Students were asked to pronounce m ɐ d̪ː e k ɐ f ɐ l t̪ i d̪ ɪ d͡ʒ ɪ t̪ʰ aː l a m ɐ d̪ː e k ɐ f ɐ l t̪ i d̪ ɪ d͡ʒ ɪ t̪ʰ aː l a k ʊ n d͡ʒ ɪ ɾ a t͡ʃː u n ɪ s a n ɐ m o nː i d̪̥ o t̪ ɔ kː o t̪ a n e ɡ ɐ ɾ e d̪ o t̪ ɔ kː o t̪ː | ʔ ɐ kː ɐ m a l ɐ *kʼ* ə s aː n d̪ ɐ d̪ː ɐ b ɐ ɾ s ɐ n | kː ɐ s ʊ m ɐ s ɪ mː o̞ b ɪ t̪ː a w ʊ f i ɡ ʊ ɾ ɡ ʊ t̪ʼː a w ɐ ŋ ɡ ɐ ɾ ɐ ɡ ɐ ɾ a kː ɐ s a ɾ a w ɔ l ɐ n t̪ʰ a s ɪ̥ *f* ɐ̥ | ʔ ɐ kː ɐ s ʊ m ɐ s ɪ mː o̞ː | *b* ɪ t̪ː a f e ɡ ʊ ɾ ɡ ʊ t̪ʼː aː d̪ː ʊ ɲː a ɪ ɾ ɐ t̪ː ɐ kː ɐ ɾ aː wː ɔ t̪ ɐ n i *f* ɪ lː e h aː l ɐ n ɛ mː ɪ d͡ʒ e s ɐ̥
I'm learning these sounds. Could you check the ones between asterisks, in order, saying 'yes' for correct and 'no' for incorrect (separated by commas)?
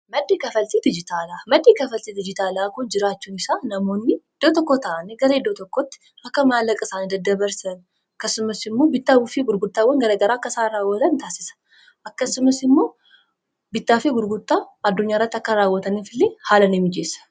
yes, no, yes, yes